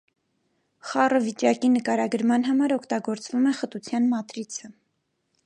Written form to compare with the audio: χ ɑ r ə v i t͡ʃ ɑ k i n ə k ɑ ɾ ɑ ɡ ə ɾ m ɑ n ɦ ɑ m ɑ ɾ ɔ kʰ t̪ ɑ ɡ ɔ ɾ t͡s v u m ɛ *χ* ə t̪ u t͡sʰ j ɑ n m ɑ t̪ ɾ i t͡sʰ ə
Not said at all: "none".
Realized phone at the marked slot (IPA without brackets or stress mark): χ